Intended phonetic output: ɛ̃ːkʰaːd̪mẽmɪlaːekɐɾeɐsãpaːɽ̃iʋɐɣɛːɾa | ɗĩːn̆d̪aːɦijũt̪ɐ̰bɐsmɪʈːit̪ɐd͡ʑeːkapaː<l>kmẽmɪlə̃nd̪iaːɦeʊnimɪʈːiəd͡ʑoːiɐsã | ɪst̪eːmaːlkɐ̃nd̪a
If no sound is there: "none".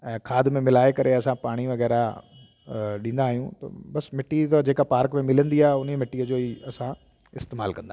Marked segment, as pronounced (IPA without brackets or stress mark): ɾ